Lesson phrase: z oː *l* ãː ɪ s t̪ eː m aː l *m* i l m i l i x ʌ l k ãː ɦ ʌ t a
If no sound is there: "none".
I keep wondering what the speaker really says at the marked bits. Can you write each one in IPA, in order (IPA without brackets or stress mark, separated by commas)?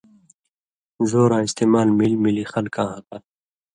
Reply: ɾ, m